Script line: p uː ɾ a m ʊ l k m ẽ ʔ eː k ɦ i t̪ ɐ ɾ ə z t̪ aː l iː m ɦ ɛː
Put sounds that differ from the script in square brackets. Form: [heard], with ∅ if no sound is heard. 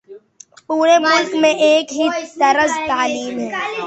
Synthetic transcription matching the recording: p uː ɾ [e] m ʊ l k m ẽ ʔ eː k ɦ i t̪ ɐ ɾ ə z t̪ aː l iː m ɦ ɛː